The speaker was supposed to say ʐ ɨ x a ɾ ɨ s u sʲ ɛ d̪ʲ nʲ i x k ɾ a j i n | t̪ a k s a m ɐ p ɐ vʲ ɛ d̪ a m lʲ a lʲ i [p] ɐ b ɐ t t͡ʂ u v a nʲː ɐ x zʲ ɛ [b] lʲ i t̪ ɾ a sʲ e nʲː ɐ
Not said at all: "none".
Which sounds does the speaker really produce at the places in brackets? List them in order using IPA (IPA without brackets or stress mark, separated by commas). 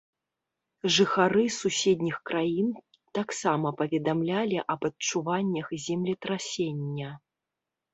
ʔ, m